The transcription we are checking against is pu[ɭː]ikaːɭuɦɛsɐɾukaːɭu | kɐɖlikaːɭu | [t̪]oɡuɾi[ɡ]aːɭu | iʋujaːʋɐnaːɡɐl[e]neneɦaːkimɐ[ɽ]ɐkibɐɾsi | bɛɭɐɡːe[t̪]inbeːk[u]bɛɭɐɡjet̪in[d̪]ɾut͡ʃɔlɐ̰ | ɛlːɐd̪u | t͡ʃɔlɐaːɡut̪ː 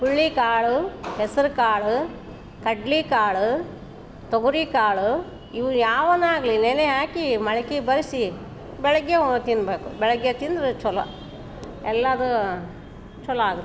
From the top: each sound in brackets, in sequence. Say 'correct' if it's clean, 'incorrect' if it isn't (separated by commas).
correct, correct, incorrect, incorrect, incorrect, correct, correct, correct